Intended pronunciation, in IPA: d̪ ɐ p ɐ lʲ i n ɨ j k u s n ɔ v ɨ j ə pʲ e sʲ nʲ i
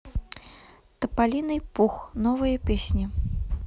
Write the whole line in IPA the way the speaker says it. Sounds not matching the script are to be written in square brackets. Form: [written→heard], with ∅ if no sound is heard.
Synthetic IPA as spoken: [d̪→t̪] ɐ p [ɐ→a] lʲ i n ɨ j [k→p] u [s→x] n ɔ v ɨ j [ə→ɐ] pʲ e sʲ nʲ i